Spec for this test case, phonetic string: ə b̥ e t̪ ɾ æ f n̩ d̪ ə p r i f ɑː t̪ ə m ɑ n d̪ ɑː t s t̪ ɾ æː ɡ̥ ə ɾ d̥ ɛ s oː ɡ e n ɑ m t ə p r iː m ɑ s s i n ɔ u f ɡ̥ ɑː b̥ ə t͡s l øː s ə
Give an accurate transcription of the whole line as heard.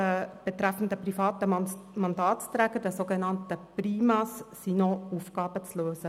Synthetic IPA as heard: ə b̥ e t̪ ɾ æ f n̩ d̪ ə p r i f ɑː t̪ ə m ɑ n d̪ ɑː t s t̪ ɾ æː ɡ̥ ə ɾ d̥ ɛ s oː ɡ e n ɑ n t ə p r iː m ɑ s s i n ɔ u f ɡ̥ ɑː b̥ ə t͡s l øː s ə